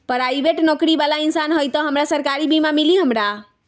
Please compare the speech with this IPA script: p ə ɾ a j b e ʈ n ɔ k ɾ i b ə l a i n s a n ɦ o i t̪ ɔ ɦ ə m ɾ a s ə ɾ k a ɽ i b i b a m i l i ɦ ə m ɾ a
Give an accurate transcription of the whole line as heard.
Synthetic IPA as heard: p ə ɾ a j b e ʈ n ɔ k ɾ i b a l a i n s a n ɦ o j t̪ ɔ ɦ ə m ɾ a s ə ɾ k a ɾ i b i m a m i l i ɦ ə m ɾ a